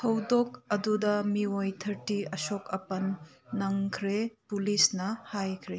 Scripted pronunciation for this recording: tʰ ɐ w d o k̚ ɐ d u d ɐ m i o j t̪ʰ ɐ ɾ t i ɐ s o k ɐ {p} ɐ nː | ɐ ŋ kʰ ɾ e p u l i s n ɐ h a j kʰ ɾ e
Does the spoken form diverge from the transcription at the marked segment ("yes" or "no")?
no